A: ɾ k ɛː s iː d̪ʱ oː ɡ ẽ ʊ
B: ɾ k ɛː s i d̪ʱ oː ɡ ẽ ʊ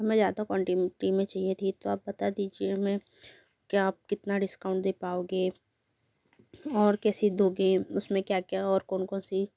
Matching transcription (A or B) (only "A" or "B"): B